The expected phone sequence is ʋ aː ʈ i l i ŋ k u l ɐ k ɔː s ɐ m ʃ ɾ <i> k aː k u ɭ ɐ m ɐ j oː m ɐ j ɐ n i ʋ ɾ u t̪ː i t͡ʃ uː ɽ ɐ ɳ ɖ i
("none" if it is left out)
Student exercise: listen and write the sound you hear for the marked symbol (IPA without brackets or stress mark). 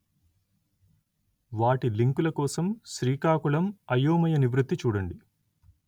iː